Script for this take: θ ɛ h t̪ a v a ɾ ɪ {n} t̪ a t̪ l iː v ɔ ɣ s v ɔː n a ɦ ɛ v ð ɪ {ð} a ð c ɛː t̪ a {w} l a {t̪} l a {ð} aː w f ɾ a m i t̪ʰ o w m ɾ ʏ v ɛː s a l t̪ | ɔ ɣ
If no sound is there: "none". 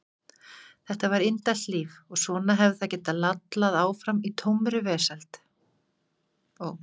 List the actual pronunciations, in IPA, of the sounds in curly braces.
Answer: n, θ, none, t̪, ð

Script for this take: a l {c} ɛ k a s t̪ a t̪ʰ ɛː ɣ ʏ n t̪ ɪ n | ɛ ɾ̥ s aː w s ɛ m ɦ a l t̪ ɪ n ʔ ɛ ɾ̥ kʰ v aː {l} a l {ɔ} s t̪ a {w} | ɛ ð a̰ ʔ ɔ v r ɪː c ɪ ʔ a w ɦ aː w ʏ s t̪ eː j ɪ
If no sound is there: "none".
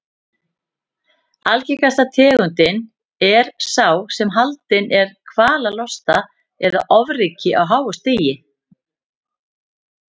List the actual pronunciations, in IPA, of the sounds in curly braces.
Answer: c, l, ɔ, none

